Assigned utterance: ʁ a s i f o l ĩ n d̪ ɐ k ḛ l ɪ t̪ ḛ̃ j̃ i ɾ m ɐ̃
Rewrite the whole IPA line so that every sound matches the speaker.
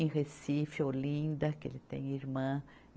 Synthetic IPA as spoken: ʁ e s i f o l ĩ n d̪ ɐ k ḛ l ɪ t̪ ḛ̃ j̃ i ɾ m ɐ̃